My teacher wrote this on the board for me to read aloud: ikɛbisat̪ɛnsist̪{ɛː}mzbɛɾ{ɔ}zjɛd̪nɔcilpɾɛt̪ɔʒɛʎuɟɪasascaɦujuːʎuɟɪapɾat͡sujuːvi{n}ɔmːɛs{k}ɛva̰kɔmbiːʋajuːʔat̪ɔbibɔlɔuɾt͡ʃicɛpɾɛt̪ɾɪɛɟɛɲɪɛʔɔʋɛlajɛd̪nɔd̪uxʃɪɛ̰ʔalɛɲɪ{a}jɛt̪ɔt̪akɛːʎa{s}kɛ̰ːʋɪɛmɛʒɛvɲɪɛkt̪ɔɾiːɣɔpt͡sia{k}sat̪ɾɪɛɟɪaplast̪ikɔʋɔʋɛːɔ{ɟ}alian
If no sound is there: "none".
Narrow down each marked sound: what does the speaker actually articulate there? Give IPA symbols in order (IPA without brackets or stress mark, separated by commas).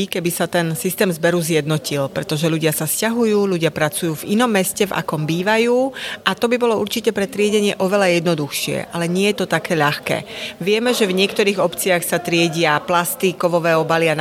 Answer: ɛː, u, n, c, ɛ, x, x, b